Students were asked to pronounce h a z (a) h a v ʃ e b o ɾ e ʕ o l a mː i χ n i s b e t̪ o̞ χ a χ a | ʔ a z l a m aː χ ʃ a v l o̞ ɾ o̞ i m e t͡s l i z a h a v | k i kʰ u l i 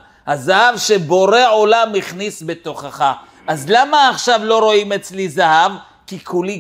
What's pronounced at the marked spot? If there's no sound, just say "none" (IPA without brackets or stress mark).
a